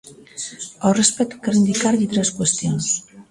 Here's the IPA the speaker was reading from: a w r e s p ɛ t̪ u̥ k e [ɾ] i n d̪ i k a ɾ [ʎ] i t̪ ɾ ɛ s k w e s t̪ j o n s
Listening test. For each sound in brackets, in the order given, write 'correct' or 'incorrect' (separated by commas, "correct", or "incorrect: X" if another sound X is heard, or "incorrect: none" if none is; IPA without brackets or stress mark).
correct, correct